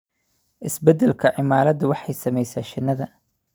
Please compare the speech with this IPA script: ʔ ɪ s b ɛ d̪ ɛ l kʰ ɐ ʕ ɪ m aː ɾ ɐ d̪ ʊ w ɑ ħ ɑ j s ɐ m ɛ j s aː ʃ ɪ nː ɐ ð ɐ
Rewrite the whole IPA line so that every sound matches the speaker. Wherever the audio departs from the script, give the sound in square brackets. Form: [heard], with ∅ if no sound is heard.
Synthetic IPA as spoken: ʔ ɪ s b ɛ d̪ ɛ l kʰ ɐ ʕ ɪ m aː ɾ ɐ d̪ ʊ w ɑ ħ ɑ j s ɐ m ɛ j s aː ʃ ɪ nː ɐ ð ɐ

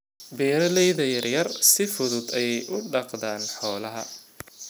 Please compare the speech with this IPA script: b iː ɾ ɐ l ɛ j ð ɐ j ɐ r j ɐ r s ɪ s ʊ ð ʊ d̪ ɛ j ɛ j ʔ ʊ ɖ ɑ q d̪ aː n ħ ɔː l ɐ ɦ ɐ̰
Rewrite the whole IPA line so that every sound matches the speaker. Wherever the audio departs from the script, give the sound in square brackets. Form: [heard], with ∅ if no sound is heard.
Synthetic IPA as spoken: b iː ɾ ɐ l ɛ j ð ɐ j ɐ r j ɐ r s ɪ [f] ʊ ð ʊ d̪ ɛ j ɛ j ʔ ʊ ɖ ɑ q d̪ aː n ħ ɔː l ɐ ɦ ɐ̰

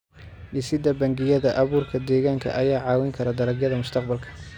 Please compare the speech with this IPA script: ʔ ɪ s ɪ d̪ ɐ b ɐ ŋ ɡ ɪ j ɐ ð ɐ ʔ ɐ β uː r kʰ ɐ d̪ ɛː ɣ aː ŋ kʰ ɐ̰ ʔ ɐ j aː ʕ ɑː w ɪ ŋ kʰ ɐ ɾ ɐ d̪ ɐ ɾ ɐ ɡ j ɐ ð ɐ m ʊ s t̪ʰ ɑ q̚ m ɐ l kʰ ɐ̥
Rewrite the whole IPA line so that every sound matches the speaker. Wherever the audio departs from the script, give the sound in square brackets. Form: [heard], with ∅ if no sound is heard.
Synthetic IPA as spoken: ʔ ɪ s ɪ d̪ ɐ b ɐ ŋ ɡ ɪ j ɐ ð ɐ ʔ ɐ β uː r kʰ ɐ d̪ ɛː ɣ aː ŋ kʰ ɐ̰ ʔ ɐ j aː ʕ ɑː w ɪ ŋ kʰ ɐ ɾ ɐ d̪ ɐ ɾ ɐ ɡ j ɐ ð ɐ m ʊ s t̪ʰ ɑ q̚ [b] ɐ l kʰ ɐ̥

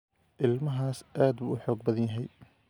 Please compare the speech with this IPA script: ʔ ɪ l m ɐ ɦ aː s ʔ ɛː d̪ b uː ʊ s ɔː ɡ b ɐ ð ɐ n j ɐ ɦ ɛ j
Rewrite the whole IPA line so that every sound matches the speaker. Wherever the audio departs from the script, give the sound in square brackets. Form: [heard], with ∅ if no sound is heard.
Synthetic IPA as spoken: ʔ ɪ l m ɐ ɦ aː s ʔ [aː] d̪ b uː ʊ [ħ] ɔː ɡ b ɐ ð ɐ n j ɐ ɦ ɛ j

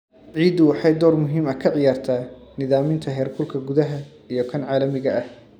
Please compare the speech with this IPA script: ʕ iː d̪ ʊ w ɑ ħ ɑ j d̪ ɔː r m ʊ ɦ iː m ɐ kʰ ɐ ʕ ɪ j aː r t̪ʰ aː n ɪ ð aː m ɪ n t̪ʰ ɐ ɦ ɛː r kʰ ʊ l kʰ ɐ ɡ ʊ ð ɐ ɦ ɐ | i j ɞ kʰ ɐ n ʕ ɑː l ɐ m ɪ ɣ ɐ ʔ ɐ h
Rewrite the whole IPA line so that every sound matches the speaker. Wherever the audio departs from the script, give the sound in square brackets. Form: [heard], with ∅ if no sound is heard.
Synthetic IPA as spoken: ʕ iː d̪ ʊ w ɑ ħ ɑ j d̪ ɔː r m ʊ ɦ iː m ɐ kʰ ɐ ʕ ɪ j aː r t̪ʰ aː n ɪ ð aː m ɪ n t̪ʰ ɐ ɦ ɛː r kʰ ʊ l kʰ ɐ ɡ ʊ ð ɐ ɦ ɐ | i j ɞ kʰ ɐ n ʕ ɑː l ɐ m ɪ ɣ ɐ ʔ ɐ h

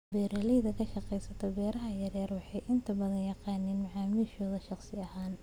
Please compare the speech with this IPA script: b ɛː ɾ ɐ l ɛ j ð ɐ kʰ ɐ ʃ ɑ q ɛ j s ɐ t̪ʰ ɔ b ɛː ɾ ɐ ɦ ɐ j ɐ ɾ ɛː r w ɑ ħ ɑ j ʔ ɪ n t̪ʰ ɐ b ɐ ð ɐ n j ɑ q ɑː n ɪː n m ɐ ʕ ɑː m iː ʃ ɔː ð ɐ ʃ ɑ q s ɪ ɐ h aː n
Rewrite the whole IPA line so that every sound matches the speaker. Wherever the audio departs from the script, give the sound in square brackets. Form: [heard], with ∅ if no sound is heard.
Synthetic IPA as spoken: b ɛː ɾ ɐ l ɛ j ð ɐ kʰ ɐ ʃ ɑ q ɛ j s ɐ t̪ʰ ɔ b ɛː ɾ ɐ ɦ ɐ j ɐ ɾ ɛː r w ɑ ħ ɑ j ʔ ɪ n t̪ʰ ɐ b ɐ ð ɐ n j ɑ q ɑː n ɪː n m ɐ ʕ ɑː m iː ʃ ɔː ð ɐ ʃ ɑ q s ɪ ɐ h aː n

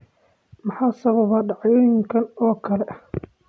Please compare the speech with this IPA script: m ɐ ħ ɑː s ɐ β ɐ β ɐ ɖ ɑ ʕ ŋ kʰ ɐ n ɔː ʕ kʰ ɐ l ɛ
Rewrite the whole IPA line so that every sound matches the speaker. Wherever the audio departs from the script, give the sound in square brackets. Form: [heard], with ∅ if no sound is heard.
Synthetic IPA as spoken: m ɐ ħ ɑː s ɐ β ɐ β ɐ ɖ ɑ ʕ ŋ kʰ ɐ n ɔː [∅] kʰ ɐ l ɛ

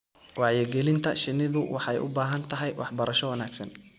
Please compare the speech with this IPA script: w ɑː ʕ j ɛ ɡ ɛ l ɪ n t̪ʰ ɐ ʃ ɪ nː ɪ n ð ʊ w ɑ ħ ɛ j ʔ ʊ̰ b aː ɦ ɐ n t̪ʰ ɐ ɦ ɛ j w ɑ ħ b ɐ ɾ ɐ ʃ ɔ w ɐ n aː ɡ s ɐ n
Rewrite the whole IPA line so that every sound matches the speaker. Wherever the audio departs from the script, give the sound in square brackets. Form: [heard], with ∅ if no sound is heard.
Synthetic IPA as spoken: w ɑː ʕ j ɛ ɡ ɛ l ɪ n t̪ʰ ɐ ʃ ɪ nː ɪ [∅] ð ʊ w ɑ ħ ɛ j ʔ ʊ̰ b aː ɦ ɐ n t̪ʰ ɐ ɦ ɛ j w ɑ ħ b ɐ ɾ ɐ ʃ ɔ w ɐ n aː ɡ s ɐ n

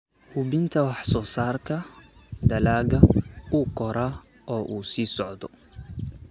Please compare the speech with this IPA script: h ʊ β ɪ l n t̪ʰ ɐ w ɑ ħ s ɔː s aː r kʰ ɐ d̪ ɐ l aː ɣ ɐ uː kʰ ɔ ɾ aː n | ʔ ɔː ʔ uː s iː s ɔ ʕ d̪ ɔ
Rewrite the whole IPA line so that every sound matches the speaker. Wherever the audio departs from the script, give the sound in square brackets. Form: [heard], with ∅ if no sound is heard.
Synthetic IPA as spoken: h ʊ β ɪ [∅] n t̪ʰ ɐ w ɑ ħ s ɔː s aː r kʰ ɐ d̪ ɐ l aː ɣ ɐ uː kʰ ɔ ɾ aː [∅] | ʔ ɔː ʔ uː s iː s ɔ ʕ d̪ ɔ

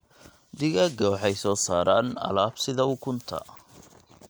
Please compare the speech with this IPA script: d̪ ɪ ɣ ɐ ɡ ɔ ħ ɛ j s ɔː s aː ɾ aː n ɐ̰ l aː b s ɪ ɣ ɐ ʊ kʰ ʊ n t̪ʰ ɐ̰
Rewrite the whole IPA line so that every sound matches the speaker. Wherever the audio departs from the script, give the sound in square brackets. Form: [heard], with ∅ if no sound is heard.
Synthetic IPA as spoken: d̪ ɪ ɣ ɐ ɡ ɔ ħ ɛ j s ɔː s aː ɾ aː n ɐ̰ l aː b s ɪ [ð] ɐ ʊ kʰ ʊ n t̪ʰ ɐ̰

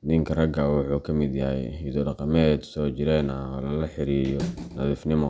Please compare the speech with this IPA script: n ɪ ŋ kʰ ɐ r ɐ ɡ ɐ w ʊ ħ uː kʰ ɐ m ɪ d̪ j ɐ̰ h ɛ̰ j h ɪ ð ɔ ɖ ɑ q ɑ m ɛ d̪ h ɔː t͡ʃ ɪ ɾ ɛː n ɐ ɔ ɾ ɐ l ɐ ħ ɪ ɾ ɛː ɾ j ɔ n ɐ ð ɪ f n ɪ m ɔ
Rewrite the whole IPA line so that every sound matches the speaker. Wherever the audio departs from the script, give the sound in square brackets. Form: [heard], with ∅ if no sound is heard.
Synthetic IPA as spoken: n ɪ ŋ kʰ ɐ r ɐ ɡ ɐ w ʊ ħ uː kʰ ɐ m ɪ d̪ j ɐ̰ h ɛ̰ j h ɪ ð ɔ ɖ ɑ q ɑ m ɛ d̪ [s] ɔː t͡ʃ ɪ ɾ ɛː n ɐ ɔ [l] ɐ l ɐ ħ ɪ ɾ [iː] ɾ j ɔ n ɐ ð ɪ f n ɪ m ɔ

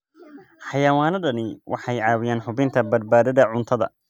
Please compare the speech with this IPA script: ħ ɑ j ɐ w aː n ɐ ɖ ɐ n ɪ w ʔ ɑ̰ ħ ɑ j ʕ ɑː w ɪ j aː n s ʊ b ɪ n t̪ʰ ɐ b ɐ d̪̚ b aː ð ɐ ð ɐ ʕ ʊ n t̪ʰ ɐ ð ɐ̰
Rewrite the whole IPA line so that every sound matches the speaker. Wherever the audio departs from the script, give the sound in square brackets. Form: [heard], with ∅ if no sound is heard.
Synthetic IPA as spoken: ħ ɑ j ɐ w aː n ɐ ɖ ɐ n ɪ w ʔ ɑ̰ ħ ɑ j ʕ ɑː w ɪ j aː n [ħ] ʊ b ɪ n t̪ʰ ɐ b ɐ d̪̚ b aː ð ɐ ð ɐ ʕ ʊ n t̪ʰ ɐ ð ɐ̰

